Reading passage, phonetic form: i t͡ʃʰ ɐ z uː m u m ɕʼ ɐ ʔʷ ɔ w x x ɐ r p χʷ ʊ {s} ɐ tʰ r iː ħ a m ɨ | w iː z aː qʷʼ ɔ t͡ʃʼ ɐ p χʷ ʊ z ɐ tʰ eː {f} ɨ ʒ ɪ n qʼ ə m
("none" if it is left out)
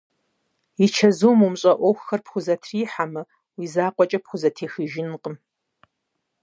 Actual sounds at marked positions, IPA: z, x

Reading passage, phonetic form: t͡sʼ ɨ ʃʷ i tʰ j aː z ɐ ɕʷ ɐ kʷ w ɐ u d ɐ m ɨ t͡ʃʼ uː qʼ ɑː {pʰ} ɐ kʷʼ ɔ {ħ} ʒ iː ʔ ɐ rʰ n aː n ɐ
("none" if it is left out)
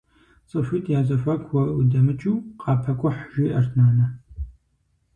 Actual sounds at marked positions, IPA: pʰ, ħ

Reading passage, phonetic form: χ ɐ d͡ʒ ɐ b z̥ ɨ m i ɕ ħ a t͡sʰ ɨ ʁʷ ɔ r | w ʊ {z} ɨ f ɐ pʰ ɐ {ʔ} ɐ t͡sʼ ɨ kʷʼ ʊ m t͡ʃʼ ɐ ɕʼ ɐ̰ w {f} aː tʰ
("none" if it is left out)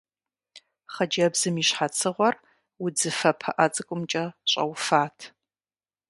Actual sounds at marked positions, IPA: d͡z, ʔ, f

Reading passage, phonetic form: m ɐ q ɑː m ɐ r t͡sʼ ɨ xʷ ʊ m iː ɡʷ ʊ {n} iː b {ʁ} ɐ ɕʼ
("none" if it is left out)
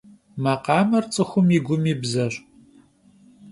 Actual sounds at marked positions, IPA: m, z

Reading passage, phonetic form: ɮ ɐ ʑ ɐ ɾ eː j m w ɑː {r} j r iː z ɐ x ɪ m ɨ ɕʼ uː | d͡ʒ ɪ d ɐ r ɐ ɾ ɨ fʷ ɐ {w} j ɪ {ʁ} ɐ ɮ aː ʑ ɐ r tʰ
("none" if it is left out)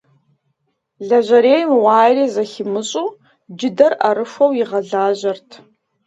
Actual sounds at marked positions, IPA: none, w, ʁ

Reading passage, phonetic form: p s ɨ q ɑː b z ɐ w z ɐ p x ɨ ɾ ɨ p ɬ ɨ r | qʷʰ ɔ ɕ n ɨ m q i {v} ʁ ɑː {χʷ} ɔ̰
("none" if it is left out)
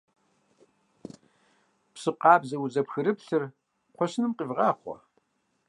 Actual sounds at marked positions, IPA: v, χʷ

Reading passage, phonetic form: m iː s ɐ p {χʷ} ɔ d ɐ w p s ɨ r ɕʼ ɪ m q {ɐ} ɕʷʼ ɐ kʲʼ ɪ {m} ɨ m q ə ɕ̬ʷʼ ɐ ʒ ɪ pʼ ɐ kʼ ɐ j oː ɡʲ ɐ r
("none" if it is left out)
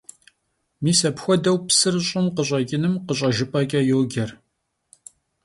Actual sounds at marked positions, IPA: xʷ, ə, n

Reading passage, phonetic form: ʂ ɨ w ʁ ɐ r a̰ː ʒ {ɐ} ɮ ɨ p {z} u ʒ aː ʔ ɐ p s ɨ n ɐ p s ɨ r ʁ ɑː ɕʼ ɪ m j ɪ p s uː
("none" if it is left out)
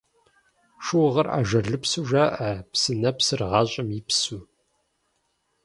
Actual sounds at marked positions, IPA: ɐ, s

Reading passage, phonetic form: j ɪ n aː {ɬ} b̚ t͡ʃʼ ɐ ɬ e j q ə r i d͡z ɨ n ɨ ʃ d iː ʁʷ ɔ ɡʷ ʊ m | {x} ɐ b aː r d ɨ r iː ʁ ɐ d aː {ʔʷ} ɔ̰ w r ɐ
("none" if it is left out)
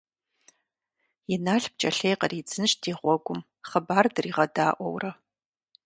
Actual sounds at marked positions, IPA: ɬ, χ, ʔʷ

